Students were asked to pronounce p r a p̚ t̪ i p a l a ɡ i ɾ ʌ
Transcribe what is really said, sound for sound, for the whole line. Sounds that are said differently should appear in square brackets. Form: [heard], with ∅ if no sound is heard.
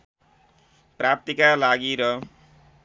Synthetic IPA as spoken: p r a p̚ t̪ i [k] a l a ɡ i ɾ ʌ